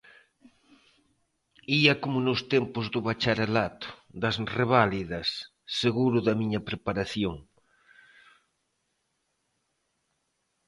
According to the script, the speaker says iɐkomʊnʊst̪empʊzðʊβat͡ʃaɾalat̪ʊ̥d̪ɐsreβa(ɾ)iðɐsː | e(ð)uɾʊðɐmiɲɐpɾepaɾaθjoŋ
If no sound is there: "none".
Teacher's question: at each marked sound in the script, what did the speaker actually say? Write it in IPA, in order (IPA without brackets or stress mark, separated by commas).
l, ɣ